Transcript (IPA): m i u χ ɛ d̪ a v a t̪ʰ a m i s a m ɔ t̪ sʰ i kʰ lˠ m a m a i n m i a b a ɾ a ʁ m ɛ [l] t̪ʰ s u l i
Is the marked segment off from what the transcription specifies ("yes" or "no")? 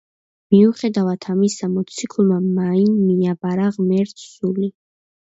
yes